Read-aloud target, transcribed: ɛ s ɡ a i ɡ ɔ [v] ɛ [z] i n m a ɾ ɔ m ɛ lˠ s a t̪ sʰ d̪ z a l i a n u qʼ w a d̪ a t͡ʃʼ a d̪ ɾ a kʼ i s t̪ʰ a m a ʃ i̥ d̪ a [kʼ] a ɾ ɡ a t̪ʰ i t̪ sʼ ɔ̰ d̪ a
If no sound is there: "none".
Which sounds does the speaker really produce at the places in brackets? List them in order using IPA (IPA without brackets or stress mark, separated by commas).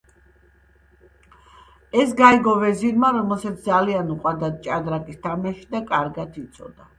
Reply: v, z, kʼ